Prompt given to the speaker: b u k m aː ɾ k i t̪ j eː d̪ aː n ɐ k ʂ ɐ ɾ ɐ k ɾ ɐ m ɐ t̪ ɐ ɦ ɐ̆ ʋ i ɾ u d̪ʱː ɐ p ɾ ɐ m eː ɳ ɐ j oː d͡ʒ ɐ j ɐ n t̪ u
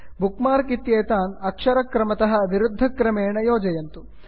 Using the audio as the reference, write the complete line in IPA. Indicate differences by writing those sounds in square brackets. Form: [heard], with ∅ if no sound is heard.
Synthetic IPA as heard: b u k m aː ɾ k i t̪ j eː [t̪] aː n ɐ k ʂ ɐ ɾ ɐ k ɾ ɐ m ɐ t̪ ɐ ɦ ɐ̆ ʋ i ɾ u d̪ʱː ɐ [k] ɾ ɐ m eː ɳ ɐ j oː d͡ʒ ɐ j ɐ n t̪ u